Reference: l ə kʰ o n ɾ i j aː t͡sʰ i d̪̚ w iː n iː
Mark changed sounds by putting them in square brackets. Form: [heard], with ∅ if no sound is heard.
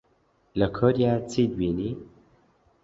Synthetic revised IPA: l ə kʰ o [∅] ɾ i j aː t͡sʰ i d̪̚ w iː n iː